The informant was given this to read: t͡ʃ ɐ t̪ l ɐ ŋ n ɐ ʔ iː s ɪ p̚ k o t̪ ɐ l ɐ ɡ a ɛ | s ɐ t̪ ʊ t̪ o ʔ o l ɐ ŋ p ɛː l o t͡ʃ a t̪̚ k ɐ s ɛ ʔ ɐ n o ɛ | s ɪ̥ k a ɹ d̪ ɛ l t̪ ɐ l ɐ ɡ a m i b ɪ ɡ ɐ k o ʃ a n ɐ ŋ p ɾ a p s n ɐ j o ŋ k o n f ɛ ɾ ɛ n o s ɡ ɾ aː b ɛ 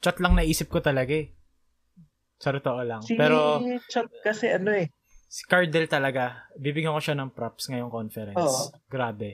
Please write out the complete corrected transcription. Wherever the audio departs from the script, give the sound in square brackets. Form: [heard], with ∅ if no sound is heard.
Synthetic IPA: t͡ʃ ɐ t̪ l ɐ ŋ n ɐ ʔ iː s ɪ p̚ k o t̪ ɐ l ɐ ɡ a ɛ | s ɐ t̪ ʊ t̪ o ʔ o l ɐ ŋ p ɛː [ɾ] o t͡ʃ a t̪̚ k ɐ s ɛ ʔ ɐ n o ɛ | s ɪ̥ k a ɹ d̪ ɛ l t̪ ɐ l ɐ ɡ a [b] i b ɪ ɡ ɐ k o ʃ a n ɐ ŋ p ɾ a p s [ŋ] ɐ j o ŋ k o n f ɛ ɾ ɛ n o s ɡ ɾ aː b ɛ